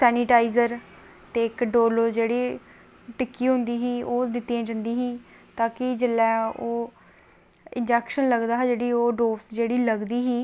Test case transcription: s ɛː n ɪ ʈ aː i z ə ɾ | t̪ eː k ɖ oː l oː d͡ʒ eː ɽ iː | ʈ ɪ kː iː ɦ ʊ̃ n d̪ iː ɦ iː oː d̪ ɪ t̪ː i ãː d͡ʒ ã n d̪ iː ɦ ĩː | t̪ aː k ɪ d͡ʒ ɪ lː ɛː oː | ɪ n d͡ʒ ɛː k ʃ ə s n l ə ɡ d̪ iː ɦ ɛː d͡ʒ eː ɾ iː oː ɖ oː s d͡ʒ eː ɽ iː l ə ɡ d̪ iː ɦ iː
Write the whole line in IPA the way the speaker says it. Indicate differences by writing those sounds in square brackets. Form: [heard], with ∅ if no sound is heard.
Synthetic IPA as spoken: s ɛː n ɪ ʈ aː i z ə ɾ | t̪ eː k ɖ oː l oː d͡ʒ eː ɽ iː | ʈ ɪ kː iː ɦ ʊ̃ n d̪ iː ɦ iː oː d̪ ɪ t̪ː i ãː d͡ʒ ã n d̪ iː ɦ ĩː | t̪ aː k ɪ d͡ʒ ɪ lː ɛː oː | ɪ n d͡ʒ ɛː k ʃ ə [∅] n l ə ɡ d̪ [aː] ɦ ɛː d͡ʒ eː [ɽ] iː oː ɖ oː s d͡ʒ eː ɽ iː l ə ɡ d̪ iː ɦ iː